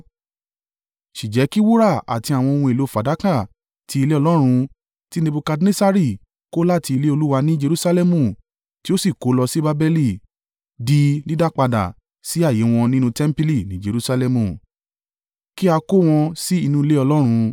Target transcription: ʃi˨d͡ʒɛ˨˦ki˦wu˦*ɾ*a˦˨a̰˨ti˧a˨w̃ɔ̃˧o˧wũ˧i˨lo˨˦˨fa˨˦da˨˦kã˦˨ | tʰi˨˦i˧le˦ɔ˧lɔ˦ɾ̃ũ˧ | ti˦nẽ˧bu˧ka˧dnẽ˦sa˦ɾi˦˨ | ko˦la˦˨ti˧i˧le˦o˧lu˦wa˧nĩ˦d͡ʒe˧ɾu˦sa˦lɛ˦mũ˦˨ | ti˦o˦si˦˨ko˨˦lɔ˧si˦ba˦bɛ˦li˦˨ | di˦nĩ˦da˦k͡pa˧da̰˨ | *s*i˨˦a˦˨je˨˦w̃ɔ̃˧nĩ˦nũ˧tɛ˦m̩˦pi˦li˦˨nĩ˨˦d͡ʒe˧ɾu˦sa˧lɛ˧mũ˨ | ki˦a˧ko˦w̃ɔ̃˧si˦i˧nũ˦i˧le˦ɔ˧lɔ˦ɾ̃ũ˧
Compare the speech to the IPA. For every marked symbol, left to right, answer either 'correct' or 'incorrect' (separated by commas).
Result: correct, correct